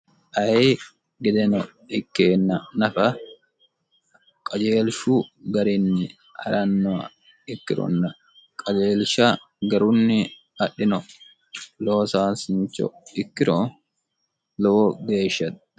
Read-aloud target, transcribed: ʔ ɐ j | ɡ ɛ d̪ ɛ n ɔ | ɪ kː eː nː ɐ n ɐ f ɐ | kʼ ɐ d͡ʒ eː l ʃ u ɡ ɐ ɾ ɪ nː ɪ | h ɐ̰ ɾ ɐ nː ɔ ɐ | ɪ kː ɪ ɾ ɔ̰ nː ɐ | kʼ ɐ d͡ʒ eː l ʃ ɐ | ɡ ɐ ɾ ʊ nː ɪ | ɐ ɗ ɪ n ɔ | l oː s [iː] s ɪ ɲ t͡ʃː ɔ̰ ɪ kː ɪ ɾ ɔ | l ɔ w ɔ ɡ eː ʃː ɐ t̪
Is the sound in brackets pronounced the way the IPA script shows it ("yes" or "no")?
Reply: no